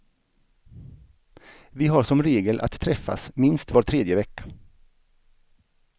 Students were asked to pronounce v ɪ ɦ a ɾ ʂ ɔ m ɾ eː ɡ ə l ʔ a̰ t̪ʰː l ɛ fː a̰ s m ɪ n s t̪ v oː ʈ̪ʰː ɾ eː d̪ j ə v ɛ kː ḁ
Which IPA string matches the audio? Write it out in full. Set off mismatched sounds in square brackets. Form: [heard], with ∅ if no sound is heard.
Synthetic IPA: v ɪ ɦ a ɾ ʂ ɔ m ɾ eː ɡ ə l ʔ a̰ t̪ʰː [ɾ] ɛ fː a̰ s m ɪ n s t̪ v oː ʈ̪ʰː ɾ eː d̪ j ə v ɛ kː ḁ